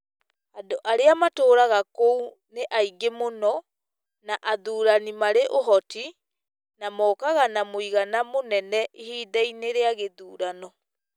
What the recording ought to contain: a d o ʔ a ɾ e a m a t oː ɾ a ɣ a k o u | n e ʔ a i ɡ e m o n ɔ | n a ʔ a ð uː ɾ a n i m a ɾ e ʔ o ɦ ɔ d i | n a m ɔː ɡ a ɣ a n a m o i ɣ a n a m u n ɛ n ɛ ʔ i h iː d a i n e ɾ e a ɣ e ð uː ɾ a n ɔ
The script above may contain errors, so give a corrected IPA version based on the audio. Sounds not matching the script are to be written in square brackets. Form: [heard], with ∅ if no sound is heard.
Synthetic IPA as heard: a d o ʔ a ɾ e a m a t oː ɾ a ɣ a k o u | n e ʔ a i ɡ e m o n ɔ | n a ʔ a ð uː ɾ a n i m a ɾ e ʔ o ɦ ɔ [t] i | n a m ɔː [k] a ɣ a n a m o i ɣ a n a m [o] n ɛ n ɛ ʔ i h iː d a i n e ɾ e a ɣ e ð uː ɾ a n ɔ